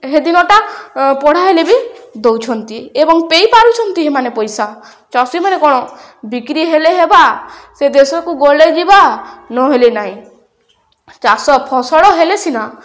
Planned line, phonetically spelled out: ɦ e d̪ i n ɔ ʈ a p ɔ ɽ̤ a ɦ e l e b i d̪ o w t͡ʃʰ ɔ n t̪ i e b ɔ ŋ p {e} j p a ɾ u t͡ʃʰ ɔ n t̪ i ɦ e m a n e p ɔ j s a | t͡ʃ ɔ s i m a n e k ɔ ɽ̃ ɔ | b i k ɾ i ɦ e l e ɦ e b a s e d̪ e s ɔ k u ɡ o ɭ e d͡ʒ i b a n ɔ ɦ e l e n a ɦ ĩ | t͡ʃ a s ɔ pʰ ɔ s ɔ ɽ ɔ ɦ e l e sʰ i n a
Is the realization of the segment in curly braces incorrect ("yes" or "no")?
no